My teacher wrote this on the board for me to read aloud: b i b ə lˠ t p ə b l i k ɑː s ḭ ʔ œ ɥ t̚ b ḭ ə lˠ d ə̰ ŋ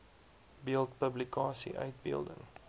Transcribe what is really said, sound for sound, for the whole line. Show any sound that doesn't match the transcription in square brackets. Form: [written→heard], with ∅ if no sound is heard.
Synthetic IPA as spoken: b i [b→∅] ə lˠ t p ə b l i k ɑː s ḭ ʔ œ ɥ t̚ b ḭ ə lˠ d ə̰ ŋ